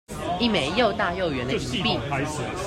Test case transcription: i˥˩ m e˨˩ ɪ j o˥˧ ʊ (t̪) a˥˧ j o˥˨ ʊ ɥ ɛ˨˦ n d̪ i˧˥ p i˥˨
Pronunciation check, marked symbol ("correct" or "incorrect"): correct